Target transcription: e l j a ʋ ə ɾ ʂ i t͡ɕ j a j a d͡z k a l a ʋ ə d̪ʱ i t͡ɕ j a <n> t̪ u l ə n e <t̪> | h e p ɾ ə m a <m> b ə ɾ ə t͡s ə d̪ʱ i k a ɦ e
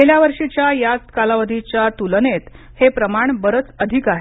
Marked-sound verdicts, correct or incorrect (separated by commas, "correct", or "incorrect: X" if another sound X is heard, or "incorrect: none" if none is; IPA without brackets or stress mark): incorrect: none, correct, incorrect: ɳ